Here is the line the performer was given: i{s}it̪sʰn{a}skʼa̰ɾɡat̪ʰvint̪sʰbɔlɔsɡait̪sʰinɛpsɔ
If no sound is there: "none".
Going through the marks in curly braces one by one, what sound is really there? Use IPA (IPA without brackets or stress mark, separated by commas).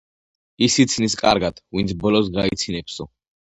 s, i